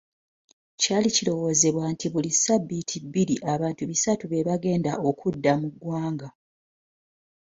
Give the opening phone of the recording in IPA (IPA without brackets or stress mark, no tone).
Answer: c